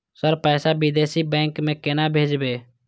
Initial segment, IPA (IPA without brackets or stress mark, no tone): s